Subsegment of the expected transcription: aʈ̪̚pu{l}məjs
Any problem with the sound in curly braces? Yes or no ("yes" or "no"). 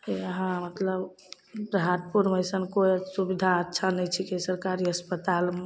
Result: yes